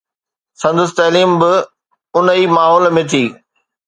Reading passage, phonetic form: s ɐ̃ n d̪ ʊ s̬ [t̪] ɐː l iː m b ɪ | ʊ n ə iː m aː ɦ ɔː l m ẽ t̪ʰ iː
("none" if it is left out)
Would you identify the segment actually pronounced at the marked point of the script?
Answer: t̪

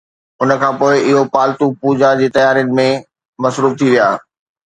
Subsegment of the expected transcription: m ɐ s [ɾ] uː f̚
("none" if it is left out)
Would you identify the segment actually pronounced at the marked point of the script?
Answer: ɾ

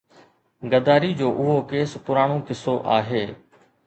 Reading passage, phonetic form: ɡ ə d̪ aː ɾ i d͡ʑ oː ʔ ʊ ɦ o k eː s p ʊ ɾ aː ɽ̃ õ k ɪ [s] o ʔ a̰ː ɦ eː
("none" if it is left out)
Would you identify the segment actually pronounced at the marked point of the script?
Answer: s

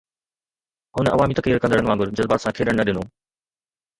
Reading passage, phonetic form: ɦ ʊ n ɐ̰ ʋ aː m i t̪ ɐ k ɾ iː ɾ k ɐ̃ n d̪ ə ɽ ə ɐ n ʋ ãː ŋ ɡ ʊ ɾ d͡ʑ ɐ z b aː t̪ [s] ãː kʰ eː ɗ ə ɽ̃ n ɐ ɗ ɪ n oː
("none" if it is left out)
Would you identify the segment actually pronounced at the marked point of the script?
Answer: s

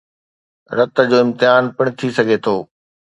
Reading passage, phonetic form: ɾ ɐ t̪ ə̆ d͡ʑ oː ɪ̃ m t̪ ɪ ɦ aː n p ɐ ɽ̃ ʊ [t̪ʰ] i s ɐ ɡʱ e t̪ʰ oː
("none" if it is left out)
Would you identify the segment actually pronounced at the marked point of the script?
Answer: t̪ʰ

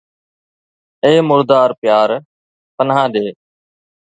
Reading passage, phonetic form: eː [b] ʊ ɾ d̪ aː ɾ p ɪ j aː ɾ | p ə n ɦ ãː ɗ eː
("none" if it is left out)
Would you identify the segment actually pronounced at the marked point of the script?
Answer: m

